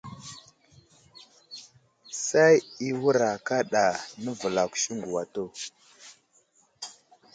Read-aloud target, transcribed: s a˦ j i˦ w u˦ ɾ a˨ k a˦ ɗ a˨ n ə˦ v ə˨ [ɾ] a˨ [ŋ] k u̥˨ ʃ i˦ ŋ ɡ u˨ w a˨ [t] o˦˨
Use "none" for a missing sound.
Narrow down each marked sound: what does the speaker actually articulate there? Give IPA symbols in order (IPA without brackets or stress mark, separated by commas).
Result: l, none, t